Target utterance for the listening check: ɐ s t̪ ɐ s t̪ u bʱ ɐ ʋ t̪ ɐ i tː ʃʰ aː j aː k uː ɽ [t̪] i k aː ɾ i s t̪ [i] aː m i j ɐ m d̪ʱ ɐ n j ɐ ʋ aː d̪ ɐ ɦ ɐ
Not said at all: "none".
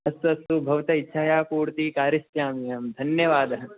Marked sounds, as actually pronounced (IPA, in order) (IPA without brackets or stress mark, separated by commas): t̪, j